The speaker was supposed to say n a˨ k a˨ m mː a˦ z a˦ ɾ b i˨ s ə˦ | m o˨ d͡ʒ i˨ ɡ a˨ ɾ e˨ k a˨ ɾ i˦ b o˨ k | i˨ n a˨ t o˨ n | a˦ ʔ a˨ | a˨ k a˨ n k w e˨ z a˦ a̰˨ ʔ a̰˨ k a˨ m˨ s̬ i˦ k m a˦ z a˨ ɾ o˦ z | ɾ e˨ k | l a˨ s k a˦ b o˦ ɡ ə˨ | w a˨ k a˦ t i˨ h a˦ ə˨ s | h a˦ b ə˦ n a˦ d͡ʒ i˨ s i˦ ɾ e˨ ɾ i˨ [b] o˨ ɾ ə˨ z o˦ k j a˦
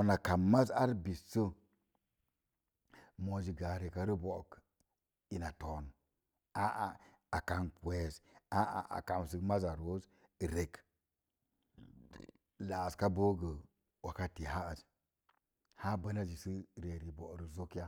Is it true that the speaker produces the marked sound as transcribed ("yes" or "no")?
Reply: yes